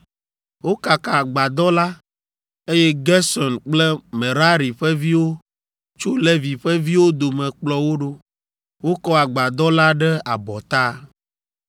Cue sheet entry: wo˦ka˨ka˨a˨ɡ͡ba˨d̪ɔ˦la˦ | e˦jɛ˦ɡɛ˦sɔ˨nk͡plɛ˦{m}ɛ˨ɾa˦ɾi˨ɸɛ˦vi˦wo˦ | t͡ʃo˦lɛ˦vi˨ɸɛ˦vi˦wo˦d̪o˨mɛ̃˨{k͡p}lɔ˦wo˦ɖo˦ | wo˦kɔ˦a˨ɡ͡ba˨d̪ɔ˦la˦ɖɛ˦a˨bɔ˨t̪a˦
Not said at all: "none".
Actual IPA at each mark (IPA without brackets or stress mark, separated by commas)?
m, k͡p